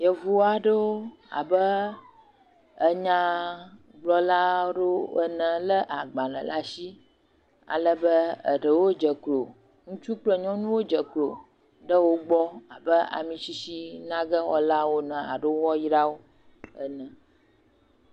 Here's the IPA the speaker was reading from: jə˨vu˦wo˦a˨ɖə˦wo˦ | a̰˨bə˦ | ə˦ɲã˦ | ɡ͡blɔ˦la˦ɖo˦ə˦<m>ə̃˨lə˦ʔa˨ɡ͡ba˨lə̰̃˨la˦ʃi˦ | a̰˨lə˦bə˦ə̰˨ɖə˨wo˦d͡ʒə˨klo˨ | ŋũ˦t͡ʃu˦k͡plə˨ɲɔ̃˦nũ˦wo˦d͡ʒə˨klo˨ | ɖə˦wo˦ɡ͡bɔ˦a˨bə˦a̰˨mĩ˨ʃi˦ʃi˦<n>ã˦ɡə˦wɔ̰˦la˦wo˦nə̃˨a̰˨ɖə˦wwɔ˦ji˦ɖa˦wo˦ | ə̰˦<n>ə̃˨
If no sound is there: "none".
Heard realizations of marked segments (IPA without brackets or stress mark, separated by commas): n, n, n